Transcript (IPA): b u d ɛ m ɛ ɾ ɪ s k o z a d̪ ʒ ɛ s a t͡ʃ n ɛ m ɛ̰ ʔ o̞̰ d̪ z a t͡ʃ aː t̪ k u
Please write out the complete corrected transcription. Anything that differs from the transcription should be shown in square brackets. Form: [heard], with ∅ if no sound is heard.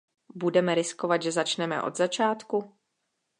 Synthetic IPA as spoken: b u d ɛ m ɛ ɾ ɪ s k o [v] a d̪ ʒ ɛ [z] a t͡ʃ n ɛ m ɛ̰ ʔ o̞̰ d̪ z a t͡ʃ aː t̪ k u